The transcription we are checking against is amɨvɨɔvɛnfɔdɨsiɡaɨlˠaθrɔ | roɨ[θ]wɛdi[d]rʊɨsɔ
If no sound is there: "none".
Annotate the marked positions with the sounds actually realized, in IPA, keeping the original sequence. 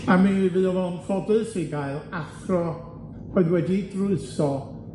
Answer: ð, d

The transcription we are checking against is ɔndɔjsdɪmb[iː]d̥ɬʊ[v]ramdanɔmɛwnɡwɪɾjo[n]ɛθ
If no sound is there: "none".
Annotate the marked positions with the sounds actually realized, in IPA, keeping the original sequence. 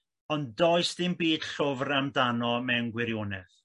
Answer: iː, v, n

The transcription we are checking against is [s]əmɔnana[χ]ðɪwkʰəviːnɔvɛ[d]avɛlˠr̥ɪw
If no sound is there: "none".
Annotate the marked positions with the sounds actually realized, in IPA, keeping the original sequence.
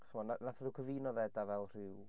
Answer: χ, θ, d

